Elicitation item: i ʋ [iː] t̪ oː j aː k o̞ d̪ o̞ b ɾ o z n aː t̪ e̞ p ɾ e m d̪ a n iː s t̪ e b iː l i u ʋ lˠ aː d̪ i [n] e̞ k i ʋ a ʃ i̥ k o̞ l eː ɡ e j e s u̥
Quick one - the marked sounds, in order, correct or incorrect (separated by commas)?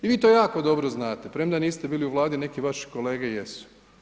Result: correct, correct